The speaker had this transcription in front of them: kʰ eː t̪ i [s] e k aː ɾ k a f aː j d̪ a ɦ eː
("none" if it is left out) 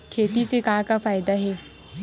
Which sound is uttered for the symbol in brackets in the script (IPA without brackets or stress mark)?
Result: s